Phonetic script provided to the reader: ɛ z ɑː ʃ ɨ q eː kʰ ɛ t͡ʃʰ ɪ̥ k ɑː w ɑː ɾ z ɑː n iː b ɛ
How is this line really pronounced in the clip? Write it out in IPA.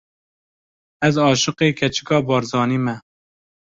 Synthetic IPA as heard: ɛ z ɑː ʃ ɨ q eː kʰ ɛ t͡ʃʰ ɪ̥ k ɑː b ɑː ɾ z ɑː n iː m ɛ